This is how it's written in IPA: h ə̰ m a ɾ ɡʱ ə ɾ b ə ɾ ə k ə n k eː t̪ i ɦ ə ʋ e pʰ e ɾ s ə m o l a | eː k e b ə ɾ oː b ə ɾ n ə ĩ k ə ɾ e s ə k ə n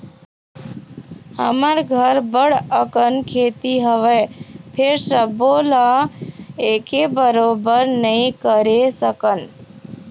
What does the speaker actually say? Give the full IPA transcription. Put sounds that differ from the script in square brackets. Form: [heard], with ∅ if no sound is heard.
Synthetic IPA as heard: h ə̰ m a ɾ ɡʱ ə ɾ b ə [ɽ] ə k ə n [kʰ] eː t̪ i ɦ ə ʋ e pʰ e ɾ s ə [b] o l a | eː k e b ə ɾ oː b ə ɾ n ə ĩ k ə ɾ e s ə k ə n